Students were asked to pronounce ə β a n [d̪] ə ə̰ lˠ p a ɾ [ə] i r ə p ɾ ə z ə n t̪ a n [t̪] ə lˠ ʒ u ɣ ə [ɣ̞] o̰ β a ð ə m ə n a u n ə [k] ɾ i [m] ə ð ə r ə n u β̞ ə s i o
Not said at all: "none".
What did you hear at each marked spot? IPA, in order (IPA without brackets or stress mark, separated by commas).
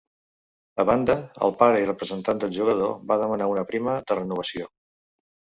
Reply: d̪, ə, d̪, ð̞, p, m